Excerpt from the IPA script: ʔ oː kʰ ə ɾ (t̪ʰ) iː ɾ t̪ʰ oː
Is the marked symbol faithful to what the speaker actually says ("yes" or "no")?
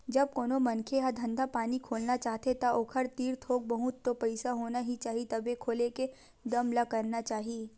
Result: no